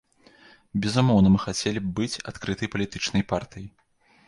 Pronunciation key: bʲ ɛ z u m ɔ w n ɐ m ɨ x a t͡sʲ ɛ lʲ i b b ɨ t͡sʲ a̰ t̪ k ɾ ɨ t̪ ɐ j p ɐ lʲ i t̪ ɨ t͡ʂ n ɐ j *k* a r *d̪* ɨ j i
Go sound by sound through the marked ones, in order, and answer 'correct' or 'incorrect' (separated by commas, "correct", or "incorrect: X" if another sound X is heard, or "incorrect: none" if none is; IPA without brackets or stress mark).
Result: incorrect: p, incorrect: t̪